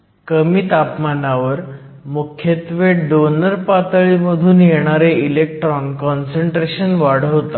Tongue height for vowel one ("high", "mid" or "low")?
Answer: mid